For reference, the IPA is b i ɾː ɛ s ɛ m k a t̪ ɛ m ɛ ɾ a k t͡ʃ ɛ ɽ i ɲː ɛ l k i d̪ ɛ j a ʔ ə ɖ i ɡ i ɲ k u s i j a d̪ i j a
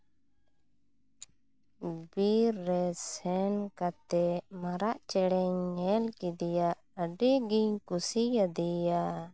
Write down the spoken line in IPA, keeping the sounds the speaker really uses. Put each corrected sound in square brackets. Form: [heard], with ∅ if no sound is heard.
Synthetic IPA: b i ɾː ɛ s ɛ [n] k a t̪ ɛ m [a] ɾ a [ʔ] t͡ʃ ɛ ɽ [ɛ] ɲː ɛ l k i d̪ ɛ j a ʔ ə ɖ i ɡ i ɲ k u s i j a d̪ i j a